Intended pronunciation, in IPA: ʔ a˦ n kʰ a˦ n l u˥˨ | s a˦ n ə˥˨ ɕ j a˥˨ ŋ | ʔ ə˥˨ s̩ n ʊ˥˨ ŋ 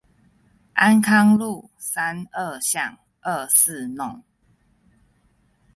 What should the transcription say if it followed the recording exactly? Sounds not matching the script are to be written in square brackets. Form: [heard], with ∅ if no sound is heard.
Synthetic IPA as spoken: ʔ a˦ n kʰ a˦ [ŋ] l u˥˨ | s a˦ n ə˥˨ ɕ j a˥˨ ŋ | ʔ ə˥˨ s̩ n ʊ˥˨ ŋ